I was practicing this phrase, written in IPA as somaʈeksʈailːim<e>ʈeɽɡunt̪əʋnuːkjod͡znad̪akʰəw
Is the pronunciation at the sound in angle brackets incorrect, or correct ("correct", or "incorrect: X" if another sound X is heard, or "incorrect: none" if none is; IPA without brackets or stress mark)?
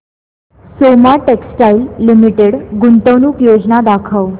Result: incorrect: i